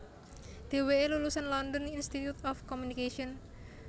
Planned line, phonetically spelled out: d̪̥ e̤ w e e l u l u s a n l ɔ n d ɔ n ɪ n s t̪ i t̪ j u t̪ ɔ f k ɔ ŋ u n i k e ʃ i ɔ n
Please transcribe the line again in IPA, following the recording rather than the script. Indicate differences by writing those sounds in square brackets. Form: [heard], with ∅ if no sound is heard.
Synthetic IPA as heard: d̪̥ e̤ w e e l u l u s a n l ɔ n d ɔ n [i] n s t̪ i t̪ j u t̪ ɔ f k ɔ [m] u n i k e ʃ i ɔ n